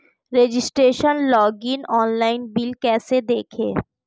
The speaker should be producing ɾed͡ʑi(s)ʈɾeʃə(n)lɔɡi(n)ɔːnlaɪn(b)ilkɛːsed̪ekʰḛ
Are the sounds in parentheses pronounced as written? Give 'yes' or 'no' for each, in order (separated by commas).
yes, yes, yes, yes